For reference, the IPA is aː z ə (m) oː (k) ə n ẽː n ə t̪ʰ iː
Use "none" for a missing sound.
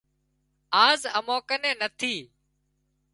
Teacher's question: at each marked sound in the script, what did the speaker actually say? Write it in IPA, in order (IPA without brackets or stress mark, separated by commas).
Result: m, k